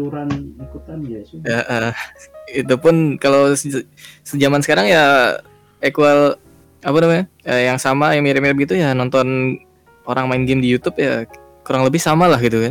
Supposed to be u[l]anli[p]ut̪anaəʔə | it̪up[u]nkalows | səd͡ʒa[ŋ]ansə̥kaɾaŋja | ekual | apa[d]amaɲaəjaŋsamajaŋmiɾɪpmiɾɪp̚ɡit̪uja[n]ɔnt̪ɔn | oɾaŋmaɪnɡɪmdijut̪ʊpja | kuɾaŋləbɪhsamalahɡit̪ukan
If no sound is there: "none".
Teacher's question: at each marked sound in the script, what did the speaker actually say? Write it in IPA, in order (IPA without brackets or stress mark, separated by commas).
ɾ, k, ʊ, m, n, n